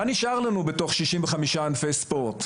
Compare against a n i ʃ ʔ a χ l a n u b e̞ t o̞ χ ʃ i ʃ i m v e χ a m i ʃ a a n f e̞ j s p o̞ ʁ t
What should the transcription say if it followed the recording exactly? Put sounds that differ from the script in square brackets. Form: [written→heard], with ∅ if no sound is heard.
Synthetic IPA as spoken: a n i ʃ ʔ a [χ→ʁ] l a n u b e̞ t o̞ χ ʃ i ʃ i m v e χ a m i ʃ a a n f e̞ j s p o̞ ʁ t